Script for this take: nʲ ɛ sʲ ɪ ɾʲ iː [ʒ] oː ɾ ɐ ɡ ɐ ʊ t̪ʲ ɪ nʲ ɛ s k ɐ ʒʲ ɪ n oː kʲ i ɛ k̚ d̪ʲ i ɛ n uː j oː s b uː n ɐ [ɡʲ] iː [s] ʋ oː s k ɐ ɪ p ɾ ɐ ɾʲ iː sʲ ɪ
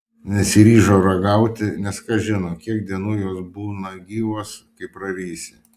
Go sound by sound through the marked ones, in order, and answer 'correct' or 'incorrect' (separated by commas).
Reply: correct, correct, incorrect